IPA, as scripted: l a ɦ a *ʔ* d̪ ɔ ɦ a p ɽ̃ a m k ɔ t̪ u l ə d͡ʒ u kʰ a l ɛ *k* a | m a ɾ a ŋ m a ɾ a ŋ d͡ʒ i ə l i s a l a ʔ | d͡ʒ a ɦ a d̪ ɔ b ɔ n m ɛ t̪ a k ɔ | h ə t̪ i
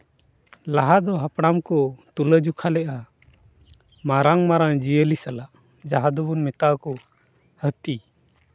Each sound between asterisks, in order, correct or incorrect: incorrect: none, incorrect: ʔ

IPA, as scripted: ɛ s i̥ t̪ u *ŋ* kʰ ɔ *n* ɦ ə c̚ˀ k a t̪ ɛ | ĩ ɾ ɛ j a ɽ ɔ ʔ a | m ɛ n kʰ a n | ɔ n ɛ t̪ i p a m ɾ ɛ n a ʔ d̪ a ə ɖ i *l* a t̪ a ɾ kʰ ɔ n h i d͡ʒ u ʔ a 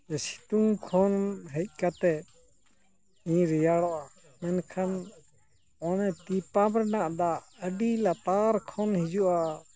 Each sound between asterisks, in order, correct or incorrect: correct, correct, correct

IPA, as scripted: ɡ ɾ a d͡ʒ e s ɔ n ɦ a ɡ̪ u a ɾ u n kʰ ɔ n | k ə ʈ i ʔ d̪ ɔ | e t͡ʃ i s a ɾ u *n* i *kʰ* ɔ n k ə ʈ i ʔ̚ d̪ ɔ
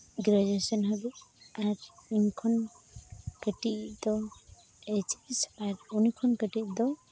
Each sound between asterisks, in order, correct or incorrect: correct, correct

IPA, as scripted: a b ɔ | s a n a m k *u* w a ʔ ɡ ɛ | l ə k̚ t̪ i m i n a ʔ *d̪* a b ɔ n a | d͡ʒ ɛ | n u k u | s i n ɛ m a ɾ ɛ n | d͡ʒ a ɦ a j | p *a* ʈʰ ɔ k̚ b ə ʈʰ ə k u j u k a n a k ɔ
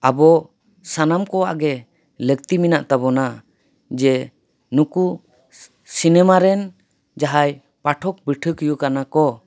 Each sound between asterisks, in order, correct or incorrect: incorrect: ɔ, incorrect: t̪, correct

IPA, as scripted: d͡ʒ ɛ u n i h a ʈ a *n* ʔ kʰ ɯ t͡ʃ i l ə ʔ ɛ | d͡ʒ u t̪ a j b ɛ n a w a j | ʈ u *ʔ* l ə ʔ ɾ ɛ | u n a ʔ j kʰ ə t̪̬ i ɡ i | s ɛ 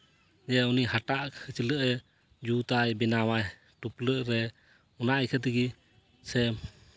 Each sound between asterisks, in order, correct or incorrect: incorrect: none, incorrect: p

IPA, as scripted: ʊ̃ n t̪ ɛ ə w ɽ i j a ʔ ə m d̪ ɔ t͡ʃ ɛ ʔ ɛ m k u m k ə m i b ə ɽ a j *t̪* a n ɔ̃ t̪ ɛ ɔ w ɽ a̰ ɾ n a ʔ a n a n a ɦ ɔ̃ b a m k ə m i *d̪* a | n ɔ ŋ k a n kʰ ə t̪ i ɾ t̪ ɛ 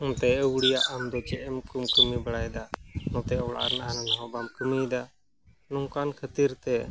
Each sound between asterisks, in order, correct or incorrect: incorrect: d̪, correct

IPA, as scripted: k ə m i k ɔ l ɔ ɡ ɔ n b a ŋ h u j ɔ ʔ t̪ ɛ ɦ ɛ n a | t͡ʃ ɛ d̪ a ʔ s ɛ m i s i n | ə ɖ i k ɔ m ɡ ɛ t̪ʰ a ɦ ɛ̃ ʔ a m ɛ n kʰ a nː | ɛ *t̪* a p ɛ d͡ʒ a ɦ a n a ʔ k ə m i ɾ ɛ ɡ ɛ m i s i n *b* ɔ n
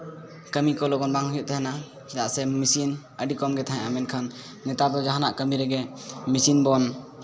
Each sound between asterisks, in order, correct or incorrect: correct, correct

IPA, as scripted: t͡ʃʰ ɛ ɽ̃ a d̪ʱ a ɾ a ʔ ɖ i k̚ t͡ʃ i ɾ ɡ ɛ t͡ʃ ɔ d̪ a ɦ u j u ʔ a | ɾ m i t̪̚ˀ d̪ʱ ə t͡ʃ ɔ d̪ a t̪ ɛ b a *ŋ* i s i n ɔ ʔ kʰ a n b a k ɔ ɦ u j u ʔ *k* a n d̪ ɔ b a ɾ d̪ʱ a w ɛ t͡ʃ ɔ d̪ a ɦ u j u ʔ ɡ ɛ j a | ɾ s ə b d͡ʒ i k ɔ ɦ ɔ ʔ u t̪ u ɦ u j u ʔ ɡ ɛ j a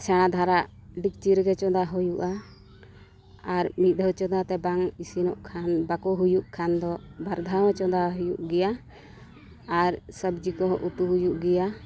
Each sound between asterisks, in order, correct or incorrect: correct, incorrect: kʰ

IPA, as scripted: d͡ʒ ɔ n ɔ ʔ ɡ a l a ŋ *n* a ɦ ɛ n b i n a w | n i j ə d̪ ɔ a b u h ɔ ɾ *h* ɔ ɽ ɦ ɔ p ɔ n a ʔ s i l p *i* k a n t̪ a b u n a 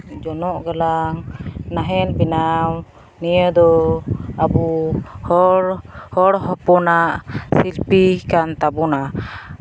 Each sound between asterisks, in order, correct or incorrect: correct, correct, correct

